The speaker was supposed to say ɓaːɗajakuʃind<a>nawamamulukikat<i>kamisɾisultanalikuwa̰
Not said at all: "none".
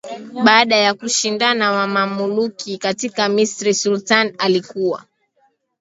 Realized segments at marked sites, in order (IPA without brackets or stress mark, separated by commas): a, i